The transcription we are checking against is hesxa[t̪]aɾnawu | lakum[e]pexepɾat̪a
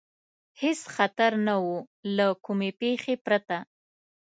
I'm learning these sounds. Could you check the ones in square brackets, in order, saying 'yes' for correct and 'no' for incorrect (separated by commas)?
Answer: yes, yes